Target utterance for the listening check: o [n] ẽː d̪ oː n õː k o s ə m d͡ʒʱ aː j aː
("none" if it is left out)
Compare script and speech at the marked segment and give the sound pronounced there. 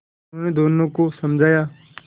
n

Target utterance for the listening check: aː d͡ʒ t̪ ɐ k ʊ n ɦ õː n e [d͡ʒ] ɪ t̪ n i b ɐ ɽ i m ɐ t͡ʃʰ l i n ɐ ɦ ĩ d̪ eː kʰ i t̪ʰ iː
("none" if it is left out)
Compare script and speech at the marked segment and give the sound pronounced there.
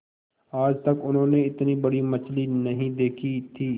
none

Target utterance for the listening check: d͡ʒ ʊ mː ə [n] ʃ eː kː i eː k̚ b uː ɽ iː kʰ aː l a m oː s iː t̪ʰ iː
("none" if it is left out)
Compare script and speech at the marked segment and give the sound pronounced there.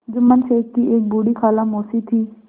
n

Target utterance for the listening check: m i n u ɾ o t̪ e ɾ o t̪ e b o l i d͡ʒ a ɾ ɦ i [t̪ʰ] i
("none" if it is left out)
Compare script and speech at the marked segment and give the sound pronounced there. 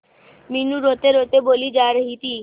t̪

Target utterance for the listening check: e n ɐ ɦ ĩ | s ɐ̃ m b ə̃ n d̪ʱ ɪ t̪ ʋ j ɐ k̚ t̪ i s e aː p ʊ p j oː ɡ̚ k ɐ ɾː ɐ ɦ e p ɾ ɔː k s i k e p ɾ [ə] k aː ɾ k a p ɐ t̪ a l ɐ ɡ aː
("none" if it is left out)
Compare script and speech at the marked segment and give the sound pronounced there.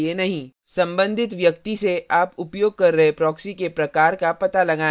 ɐ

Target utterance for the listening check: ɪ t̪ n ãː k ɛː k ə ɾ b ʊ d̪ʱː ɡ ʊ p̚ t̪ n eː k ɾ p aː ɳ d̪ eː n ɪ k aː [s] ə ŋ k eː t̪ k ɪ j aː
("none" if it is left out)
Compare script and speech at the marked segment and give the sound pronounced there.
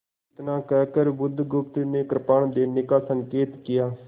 s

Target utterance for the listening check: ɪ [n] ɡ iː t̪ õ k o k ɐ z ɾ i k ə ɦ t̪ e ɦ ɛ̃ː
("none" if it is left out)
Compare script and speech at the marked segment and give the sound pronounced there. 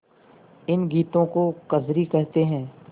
n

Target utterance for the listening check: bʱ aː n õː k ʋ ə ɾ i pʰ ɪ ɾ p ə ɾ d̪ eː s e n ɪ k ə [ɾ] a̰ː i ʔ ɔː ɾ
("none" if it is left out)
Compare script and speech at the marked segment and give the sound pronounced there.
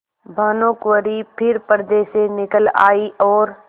l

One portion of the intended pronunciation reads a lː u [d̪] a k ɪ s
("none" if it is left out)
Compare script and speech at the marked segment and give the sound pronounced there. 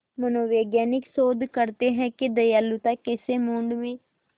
t̪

